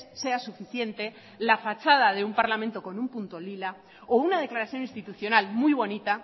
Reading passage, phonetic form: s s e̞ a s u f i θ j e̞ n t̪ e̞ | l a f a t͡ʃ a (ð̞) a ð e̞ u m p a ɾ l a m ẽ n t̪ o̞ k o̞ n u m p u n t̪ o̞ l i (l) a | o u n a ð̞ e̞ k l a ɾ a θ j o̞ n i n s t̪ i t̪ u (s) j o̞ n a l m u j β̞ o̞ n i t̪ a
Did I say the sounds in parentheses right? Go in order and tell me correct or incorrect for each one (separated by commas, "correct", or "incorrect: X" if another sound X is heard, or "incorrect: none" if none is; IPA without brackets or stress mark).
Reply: correct, correct, incorrect: θ